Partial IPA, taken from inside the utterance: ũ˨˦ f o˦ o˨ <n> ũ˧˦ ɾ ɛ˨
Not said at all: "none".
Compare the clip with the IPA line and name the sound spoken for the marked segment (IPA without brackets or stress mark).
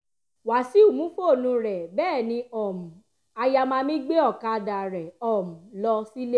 n